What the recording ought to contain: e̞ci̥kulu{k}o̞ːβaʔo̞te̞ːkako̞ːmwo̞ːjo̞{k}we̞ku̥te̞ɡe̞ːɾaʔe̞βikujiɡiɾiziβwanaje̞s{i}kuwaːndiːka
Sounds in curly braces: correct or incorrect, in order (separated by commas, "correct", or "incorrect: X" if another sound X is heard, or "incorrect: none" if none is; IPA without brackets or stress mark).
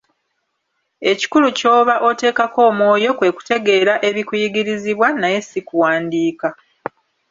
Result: incorrect: c, correct, correct